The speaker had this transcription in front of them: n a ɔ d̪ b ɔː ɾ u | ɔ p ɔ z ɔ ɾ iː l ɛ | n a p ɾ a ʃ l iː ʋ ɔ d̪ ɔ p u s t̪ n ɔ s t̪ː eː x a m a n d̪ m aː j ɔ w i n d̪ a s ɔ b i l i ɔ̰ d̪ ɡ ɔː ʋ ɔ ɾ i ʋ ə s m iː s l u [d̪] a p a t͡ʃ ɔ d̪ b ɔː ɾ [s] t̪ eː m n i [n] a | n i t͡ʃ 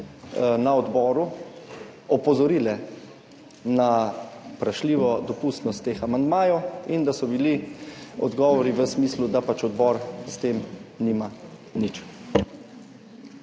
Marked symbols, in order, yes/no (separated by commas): yes, yes, no